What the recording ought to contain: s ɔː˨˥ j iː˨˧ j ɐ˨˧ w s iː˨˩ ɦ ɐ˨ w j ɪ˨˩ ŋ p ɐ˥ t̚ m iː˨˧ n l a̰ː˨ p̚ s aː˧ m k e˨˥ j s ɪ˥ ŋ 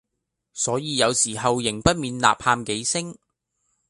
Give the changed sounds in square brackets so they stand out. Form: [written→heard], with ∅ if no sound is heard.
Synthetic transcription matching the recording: s ɔː˨˥ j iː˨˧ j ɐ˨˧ w s iː˨˩ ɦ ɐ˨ w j ɪ˨˩ ŋ p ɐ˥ t̚ m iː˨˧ n l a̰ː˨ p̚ [s→h] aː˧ m k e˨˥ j s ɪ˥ ŋ